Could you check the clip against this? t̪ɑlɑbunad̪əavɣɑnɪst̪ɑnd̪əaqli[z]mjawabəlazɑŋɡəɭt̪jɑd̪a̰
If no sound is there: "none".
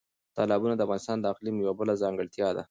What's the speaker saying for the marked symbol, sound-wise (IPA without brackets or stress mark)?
none